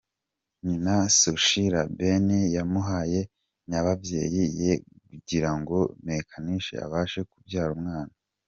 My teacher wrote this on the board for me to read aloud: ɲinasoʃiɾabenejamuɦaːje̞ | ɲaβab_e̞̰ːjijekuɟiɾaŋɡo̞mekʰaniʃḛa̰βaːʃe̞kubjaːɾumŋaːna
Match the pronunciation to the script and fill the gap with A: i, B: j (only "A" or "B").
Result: B